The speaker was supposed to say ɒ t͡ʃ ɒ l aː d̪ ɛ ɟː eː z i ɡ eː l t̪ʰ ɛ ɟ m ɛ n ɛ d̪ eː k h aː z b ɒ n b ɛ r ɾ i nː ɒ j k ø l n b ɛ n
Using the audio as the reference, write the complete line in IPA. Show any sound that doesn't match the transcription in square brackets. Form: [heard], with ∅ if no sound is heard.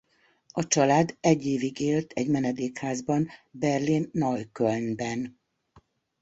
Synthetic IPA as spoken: ɒ t͡ʃ ɒ l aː d̪ ɛ ɟː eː [v] i ɡ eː l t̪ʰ ɛ ɟ m ɛ n ɛ d̪ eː k h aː z b ɒ n b ɛ r [l] i nː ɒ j k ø l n b ɛ n